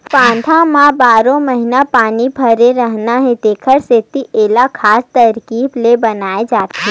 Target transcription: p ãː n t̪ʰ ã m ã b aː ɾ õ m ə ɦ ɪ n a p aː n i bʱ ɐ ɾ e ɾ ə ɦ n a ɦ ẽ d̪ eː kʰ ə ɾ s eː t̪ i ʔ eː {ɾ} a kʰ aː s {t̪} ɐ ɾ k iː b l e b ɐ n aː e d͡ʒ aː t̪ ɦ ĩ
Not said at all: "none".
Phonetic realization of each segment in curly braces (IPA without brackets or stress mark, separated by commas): l, t̪